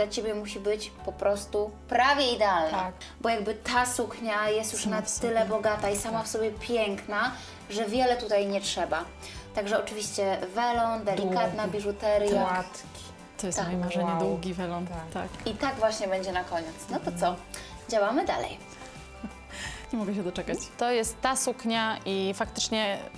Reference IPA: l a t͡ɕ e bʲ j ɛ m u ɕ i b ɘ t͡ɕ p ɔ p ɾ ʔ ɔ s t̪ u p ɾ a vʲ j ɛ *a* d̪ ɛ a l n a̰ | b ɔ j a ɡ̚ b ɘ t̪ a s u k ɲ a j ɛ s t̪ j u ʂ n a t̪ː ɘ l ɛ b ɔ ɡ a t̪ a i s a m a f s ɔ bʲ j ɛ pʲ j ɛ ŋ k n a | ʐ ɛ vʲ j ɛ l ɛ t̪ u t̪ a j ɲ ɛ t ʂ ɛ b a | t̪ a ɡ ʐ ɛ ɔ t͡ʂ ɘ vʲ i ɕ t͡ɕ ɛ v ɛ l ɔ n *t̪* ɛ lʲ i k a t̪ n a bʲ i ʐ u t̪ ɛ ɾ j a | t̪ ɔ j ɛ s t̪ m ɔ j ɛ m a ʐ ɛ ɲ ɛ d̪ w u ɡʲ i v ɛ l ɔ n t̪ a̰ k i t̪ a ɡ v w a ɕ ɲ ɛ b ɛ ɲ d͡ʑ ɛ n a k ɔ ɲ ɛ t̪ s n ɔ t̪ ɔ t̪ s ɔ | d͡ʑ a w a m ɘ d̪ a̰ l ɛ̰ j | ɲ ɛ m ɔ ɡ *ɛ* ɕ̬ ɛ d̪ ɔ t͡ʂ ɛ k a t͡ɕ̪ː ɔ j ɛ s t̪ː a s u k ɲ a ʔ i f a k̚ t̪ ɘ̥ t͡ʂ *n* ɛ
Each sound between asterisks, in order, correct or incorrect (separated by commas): incorrect, incorrect, correct, incorrect